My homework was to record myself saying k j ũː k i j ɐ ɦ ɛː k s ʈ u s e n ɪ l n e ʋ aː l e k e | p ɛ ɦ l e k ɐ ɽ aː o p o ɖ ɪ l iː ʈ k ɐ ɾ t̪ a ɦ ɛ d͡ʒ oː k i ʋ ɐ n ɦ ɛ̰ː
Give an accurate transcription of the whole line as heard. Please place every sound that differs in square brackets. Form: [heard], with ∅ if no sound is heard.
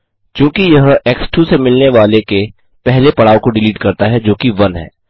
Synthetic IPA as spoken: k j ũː k i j ɐ ɦ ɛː k s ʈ u s e [m] ɪ l n e ʋ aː l e k e | p ɛ ɦ l e [p] ɐ ɽ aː o [k] o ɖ ɪ l iː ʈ k ɐ ɾ t̪ a ɦ ɛ d͡ʒ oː k i ʋ ɐ n ɦ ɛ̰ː